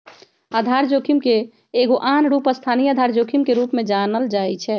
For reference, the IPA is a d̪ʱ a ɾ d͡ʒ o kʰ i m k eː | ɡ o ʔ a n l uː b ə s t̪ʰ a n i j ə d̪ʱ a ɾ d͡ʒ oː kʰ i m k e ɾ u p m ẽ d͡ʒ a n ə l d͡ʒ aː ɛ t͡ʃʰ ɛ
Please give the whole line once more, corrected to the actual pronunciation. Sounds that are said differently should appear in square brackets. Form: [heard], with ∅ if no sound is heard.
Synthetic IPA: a d̪ʱ a ɾ d͡ʒ o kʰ i m k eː | ɡ o ʔ a n [ɾ] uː [p] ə s t̪ʰ a n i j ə d̪ʱ a ɾ d͡ʒ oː kʰ i m k e ɾ u p m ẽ d͡ʒ a n ə l d͡ʒ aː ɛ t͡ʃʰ ɛ